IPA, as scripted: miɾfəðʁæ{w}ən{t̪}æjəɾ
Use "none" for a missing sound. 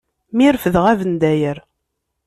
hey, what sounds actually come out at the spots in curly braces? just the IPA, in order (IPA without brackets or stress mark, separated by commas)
v, d̪